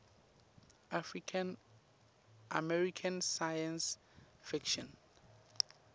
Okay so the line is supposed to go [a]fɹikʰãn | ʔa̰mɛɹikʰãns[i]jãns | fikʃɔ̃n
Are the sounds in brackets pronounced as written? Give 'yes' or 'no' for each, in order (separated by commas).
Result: yes, no